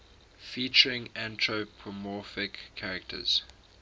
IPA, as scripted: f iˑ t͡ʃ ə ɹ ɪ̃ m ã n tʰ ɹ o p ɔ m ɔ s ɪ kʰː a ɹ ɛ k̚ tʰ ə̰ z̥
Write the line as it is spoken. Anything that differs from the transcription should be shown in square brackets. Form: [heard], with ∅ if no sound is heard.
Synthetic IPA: f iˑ t͡ʃ ə ɹ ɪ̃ [ŋ] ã n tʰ ɹ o [pʰ] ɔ m ɔ [f] ɪ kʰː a ɹ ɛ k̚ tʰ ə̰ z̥